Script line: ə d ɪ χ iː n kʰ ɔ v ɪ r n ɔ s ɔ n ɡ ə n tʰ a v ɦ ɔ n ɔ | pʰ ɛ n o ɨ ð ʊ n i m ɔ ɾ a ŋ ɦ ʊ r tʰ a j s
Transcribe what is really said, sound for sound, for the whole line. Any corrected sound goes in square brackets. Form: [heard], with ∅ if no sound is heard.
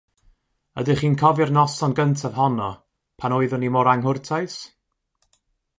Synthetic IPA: ə d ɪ χ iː n kʰ ɔ v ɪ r n ɔ s ɔ n ɡ ə n tʰ a v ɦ ɔ n ɔ | pʰ [a] n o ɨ ð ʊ n i m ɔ ɾ a ŋ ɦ ʊ r tʰ a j s